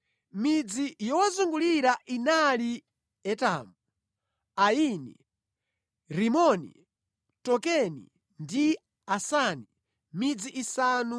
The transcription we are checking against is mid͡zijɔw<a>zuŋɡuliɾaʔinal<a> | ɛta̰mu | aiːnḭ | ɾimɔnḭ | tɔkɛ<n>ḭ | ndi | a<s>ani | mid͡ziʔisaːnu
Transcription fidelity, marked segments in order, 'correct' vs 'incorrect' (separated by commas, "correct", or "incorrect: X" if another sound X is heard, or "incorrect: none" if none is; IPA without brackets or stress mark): correct, incorrect: i, correct, correct